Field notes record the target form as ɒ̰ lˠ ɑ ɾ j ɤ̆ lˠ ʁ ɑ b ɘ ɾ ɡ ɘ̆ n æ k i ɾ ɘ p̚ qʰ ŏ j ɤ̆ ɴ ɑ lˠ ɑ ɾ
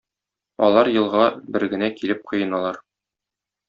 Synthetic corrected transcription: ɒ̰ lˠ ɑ ɾ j ɤ̆ lˠ ʁ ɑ b ɘ ɾ ɡ ɘ̆ n æ k i l ɘ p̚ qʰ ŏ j ɤ̆ n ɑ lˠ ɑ ɾ